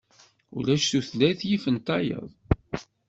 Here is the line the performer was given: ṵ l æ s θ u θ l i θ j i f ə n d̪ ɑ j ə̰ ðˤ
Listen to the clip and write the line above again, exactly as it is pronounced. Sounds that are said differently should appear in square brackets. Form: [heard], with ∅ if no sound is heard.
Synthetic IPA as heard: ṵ l æ [ʃ] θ u θ l [æ] θ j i f ə n [t̪] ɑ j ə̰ ðˤ